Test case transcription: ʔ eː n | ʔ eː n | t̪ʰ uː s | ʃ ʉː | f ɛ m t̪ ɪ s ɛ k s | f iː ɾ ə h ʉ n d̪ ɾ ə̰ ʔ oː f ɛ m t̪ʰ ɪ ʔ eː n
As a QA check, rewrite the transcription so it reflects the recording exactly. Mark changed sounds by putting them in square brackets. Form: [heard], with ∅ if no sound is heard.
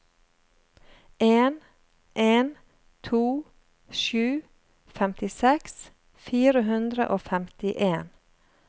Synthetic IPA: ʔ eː n | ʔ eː n | t̪ʰ uː [∅] | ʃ ʉː | f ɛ m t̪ ɪ s ɛ k s | f iː ɾ ə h ʉ n d̪ ɾ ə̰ ʔ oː f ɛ m [t̪] ɪ ʔ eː n